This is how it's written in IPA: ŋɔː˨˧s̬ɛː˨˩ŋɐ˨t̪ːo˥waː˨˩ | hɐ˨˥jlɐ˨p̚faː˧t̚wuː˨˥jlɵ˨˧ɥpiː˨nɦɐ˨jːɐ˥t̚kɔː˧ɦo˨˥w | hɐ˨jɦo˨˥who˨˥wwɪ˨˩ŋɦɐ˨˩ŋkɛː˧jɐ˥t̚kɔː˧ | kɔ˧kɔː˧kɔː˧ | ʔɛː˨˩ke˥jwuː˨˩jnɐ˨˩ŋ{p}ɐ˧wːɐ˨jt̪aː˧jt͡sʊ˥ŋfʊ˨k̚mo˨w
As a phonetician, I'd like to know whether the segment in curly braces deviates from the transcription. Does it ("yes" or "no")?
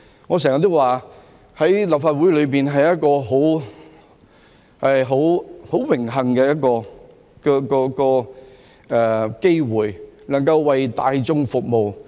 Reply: yes